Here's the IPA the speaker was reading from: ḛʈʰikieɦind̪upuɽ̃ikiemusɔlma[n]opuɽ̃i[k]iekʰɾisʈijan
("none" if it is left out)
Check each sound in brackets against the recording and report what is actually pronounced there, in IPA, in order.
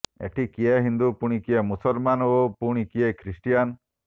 n, k

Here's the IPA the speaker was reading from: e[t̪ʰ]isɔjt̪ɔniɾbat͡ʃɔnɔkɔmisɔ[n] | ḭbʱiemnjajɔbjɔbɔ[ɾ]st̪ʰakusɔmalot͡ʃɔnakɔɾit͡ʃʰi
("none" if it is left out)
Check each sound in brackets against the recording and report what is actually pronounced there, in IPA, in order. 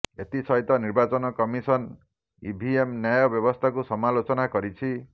t̪, n, none

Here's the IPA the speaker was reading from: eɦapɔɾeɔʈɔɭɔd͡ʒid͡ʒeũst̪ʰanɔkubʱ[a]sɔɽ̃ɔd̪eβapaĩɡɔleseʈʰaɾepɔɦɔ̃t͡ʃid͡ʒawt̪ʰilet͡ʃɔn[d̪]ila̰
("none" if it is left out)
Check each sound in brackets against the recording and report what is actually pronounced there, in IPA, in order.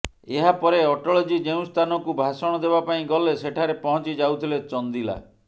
a, d̪

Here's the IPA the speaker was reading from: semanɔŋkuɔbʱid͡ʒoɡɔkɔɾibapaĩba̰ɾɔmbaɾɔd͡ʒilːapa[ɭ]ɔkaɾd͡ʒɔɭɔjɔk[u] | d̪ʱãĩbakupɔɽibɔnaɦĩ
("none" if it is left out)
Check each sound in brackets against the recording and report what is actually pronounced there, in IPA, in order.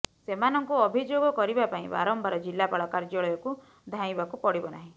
ɭ, u

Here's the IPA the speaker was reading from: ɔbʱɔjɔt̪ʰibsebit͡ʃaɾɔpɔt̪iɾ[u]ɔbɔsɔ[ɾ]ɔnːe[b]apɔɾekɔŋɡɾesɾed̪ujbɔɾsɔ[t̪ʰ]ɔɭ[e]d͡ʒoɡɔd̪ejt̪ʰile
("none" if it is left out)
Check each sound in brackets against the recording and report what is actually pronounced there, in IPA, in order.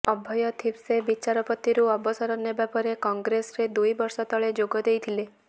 u, ɾ, b, t̪, e

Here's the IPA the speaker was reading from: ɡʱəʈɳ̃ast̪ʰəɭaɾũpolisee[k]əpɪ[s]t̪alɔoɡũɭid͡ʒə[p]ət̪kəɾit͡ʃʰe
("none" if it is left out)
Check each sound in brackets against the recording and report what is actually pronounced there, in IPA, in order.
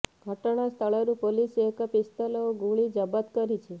k, s, b

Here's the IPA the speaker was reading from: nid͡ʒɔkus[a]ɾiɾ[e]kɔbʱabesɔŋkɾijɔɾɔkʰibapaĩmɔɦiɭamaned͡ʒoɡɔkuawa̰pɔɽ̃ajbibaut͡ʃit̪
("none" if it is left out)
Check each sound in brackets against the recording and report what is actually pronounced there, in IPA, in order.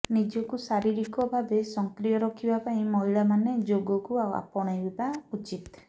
a, i

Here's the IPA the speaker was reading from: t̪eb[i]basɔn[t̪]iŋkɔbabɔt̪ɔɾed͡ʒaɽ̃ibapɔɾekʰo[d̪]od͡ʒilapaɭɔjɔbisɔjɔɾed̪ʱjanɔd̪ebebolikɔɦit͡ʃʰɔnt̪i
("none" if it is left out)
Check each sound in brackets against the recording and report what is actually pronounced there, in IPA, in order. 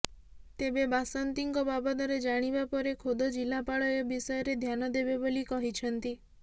e, t̪, d̪

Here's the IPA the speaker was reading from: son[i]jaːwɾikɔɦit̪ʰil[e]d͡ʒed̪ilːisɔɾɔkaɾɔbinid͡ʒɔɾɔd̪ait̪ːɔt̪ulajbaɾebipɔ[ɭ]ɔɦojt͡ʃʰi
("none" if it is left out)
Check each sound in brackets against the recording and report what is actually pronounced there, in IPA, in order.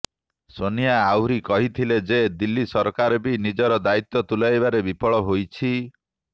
i, e, ɭ

